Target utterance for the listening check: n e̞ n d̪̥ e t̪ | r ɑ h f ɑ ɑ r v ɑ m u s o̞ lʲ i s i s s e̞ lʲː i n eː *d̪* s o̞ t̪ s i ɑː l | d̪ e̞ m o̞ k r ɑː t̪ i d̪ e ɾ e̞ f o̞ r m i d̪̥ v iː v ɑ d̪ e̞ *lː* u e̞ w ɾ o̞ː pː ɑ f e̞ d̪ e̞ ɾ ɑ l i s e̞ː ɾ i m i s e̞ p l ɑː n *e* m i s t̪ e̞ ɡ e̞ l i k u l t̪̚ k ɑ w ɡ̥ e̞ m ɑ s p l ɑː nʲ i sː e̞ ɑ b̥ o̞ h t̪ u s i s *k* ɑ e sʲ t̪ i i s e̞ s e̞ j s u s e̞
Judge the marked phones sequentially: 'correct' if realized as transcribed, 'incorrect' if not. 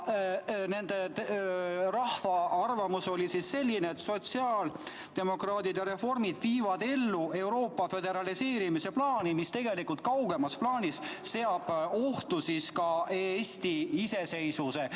incorrect: t̪, correct, incorrect: i, correct

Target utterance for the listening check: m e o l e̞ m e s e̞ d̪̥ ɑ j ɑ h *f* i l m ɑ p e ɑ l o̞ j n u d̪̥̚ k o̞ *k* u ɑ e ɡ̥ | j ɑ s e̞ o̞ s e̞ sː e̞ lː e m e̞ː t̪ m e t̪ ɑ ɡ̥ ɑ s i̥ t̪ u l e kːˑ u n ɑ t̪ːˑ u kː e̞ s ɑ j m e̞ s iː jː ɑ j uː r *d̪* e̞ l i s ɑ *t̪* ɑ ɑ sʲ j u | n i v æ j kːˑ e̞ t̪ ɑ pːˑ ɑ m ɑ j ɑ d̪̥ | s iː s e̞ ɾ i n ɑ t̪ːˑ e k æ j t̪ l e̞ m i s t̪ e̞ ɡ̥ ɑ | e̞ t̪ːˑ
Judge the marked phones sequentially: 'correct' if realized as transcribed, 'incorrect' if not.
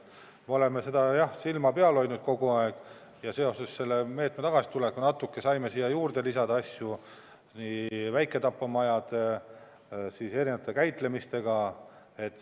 incorrect: s, incorrect: ɡ, correct, incorrect: d̪

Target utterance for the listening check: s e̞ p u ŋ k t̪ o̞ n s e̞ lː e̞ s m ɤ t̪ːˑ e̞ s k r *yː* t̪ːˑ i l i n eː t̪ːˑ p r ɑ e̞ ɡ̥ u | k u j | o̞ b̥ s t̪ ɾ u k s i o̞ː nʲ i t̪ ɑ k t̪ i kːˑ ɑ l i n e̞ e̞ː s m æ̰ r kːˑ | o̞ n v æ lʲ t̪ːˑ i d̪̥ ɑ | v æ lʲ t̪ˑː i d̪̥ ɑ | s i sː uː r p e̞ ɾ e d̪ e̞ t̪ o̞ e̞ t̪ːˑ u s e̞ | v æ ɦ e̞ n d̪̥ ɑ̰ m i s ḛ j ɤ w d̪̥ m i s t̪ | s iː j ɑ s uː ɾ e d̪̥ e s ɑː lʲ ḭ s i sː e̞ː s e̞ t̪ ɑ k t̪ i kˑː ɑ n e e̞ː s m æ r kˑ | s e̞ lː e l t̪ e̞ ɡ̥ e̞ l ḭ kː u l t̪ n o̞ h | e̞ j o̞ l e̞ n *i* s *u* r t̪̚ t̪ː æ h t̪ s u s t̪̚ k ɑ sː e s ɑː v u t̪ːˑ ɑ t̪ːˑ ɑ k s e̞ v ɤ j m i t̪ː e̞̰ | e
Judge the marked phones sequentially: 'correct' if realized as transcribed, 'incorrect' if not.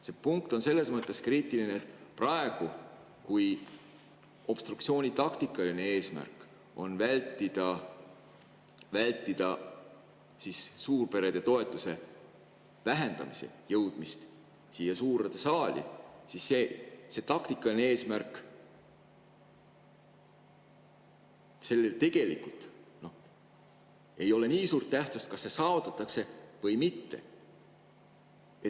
incorrect: iː, incorrect: iː, incorrect: uː

